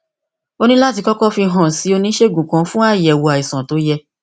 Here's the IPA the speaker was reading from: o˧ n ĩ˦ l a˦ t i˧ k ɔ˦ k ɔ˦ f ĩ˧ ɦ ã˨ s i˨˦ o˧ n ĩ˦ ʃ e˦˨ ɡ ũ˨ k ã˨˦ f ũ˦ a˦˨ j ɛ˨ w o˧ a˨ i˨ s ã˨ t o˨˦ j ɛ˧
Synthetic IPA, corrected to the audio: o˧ n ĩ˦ l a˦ t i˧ k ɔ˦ k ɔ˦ f i˧ ɦ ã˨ s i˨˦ o˧ n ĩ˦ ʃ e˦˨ ɡ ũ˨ k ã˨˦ f ũ˦ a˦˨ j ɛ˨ w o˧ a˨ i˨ s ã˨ t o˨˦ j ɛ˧